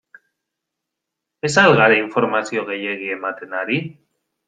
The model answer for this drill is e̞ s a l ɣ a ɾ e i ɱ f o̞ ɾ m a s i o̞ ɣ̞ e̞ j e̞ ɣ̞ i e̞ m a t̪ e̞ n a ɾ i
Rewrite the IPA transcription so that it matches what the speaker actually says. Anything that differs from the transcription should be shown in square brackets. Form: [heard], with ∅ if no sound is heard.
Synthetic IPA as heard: e̞ s a l ɣ a ɾ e i ɱ f o̞ ɾ m a s i o̞ ɣ̞ e̞ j e̞ ɣ̞ i e̞ m a t̪ e̞ n a ɾ i

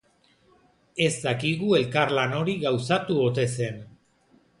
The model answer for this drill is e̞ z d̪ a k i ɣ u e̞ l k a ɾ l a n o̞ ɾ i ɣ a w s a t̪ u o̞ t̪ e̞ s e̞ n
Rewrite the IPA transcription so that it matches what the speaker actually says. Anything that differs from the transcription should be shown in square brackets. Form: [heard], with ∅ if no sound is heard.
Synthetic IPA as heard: e̞ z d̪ a k i ɣ u e̞ l k a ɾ l a n o̞ ɾ i ɣ a w s a t̪ u o̞ t̪ e̞ s e̞ n

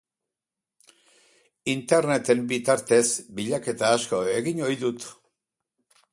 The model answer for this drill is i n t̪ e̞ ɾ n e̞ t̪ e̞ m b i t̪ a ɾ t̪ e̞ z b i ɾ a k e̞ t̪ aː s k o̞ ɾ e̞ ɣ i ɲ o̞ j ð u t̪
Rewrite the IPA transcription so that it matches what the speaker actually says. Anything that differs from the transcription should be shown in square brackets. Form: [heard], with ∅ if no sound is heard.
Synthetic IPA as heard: i n t̪ e̞ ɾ n e̞ t̪ e̞ m b i t̪ a ɾ t̪ e̞ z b i [ʎ] a k e̞ t̪ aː s k o̞ [∅] e̞ ɣ i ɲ o̞ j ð u t̪

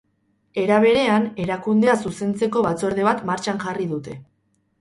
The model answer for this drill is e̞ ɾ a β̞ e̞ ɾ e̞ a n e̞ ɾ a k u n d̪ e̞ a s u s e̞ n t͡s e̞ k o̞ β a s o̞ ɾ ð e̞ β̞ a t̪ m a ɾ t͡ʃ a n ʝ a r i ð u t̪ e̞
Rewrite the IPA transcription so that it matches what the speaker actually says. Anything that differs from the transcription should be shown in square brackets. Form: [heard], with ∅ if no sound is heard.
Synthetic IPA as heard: e̞ ɾ a β̞ e̞ ɾ e̞ a n e̞ ɾ a k u n d̪ e̞ a s u s e̞ n t͡s e̞ k o̞ β a [t͡s] o̞ ɾ ð e̞ β̞ a t̪ m a ɾ t͡ʃ a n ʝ a r i ð u t̪ e̞

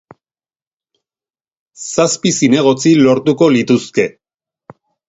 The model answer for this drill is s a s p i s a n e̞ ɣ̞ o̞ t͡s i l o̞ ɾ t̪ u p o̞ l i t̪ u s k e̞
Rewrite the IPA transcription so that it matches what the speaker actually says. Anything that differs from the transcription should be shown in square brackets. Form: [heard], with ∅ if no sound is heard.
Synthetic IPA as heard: s a s p i s [i] n e̞ ɣ̞ o̞ t͡s i l o̞ ɾ t̪ u [k] o̞ l i t̪ u s k e̞

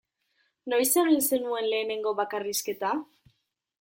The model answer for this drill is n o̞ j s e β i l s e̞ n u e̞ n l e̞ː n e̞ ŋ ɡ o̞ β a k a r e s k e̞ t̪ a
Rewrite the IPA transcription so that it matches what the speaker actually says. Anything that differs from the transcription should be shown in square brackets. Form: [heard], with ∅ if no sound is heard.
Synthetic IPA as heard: n o̞ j s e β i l s e̞ n u e̞ n l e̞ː n e̞ ŋ ɡ o̞ β a k a r [i] s k e̞ t̪ a

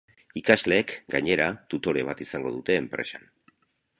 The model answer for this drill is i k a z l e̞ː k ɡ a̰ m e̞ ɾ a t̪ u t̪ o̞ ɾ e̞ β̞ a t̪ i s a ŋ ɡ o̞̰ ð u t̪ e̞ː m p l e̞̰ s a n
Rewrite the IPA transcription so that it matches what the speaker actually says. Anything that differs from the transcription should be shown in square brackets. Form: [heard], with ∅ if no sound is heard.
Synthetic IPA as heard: i k a z l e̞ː k ɡ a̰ [ɲ] e̞ ɾ a t̪ u t̪ o̞ ɾ e̞ β̞ a t̪ i s a ŋ ɡ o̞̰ ð u t̪ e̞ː m p [ɾ] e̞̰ s a n

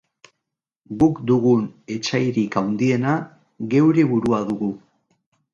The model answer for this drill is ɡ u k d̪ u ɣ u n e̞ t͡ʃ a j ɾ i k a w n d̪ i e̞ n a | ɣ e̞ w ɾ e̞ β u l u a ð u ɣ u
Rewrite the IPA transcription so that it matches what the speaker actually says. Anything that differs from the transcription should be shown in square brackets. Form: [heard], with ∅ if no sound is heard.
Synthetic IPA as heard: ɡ u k d̪ u ɣ u n e̞ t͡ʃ a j ɾ i k a w n d̪ i e̞ n a | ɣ e̞ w ɾ e̞ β u [ɾ] u a ð u ɣ u

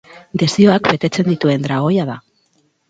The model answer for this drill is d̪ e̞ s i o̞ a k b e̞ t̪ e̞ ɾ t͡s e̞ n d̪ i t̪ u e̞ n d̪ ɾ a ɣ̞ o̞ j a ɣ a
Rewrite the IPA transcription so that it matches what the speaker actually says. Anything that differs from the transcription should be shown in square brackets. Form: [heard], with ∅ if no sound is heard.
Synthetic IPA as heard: d̪ e̞ s i o̞ a k b e̞ t̪ e̞ [∅] t͡s e̞ n d̪ i t̪ u e̞ n d̪ ɾ a ɣ̞ o̞ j a [ð] a

